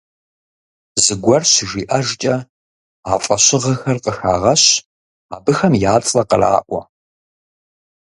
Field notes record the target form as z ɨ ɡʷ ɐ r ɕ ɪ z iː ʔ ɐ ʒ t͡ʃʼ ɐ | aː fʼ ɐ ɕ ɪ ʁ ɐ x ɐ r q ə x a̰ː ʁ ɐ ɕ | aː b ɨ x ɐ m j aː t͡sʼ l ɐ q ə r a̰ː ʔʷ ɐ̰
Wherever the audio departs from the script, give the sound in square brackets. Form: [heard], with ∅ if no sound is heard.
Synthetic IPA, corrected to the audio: z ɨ ɡʷ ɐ r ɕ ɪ [ʒ] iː ʔ ɐ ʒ t͡ʃʼ ɐ | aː fʼ ɐ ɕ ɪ ʁ ɐ x ɐ r q ə x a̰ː ʁ ɐ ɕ | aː b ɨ x ɐ m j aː t͡sʼ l ɐ q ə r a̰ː ʔʷ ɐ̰